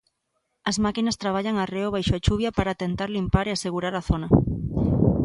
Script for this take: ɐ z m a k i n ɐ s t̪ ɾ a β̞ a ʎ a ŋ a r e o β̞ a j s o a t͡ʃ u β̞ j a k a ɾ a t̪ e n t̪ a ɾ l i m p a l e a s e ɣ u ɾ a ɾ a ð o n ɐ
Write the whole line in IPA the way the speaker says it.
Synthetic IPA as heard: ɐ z m a k i n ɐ s t̪ ɾ a β̞ a ʎ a ŋ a r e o β̞ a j ʃ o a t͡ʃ u β̞ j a p a ɾ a t̪ e n t̪ a ɾ l i m p a ɾ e a s e ɣ u ɾ a ɾ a θ o n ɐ